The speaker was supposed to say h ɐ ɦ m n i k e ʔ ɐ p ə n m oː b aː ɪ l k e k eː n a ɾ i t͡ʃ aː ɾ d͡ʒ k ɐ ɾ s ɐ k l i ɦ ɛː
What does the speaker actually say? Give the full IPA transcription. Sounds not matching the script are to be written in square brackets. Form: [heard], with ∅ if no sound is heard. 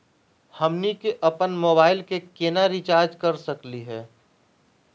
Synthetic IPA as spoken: h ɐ [∅] m n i k e ʔ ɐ p ə n m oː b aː ɪ l k e k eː n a ɾ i t͡ʃ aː ɾ d͡ʒ k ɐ ɾ s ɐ k l i ɦ ɛː